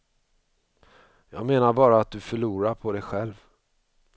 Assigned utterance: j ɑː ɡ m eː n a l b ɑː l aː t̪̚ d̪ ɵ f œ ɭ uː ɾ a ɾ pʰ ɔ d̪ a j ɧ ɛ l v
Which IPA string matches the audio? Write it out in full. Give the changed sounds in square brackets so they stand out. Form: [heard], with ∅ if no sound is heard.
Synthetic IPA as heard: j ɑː ɡ m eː n a [ɾ] b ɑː [ɾ] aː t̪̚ d̪ ɵ f œ ɭ uː ɾ a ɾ pʰ ɔ d̪ [ɛ] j ɧ ɛ l v